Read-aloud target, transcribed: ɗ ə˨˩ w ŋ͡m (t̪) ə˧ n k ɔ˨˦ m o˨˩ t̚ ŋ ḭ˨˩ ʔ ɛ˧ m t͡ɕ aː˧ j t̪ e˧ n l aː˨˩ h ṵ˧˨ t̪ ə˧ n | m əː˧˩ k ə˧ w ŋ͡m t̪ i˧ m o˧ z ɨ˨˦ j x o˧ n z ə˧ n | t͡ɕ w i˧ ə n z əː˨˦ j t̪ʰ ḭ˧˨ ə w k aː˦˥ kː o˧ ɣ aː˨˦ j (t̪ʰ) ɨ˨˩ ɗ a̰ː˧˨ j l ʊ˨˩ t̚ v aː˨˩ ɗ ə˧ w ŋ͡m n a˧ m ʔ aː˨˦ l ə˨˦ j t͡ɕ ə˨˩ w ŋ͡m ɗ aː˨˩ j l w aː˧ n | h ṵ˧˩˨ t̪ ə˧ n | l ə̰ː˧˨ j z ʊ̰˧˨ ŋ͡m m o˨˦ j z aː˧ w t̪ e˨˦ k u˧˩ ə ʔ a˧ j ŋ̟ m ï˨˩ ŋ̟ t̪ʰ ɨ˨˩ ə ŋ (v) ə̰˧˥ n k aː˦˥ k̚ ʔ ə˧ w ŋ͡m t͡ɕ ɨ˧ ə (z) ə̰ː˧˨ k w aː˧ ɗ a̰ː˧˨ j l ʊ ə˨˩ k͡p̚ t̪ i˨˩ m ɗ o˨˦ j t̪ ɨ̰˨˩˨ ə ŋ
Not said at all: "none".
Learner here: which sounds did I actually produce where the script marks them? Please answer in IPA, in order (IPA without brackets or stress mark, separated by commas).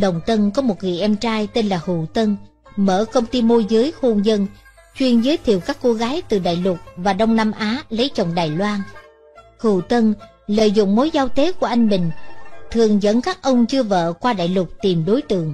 t̪, t̪, z, v